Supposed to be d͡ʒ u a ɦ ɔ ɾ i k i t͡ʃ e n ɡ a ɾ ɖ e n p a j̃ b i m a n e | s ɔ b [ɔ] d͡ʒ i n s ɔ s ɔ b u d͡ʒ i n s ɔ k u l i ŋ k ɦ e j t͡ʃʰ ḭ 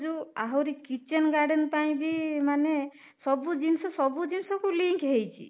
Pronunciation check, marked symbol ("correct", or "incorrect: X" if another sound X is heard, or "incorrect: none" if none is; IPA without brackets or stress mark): incorrect: u